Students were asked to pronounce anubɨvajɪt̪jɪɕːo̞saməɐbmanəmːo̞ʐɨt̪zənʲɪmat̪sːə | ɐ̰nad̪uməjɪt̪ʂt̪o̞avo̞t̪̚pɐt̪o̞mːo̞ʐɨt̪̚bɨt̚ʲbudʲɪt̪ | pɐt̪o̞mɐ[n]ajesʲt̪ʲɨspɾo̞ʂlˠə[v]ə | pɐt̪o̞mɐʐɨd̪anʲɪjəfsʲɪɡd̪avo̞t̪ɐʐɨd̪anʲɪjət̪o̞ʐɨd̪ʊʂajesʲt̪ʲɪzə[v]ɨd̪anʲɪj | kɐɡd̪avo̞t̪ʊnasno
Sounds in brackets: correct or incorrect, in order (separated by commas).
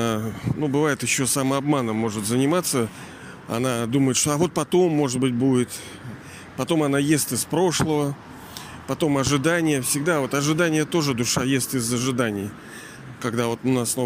correct, correct, incorrect